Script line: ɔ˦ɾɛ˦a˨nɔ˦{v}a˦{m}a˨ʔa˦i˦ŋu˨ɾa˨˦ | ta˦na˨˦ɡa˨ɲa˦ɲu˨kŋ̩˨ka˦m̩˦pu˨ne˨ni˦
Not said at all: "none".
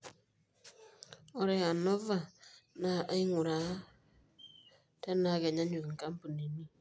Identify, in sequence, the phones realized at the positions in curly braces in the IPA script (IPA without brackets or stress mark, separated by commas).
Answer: v, n